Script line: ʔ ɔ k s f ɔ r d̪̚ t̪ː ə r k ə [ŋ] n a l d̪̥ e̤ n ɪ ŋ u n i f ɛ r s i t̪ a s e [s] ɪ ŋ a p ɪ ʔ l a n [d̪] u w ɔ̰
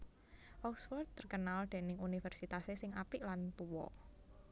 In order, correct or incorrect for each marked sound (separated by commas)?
incorrect, correct, incorrect